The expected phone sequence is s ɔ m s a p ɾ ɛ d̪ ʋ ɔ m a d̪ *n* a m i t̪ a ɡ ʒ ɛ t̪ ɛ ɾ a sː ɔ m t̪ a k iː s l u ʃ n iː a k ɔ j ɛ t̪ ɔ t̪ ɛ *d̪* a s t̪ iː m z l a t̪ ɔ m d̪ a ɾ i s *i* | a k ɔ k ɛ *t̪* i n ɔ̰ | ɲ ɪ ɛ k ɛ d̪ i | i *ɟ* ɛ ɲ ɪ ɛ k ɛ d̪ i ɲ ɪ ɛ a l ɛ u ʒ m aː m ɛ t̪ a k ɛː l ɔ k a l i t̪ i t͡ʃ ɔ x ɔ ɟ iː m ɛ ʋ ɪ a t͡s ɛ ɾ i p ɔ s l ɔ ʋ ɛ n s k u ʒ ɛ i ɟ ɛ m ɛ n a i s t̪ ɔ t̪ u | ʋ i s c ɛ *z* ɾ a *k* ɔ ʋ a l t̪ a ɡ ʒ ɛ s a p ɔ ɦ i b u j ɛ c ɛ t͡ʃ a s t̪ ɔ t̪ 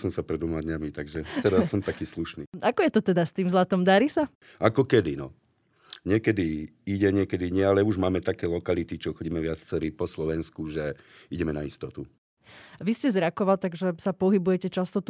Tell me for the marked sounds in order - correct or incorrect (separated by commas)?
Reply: incorrect, correct, incorrect, incorrect, correct, correct, correct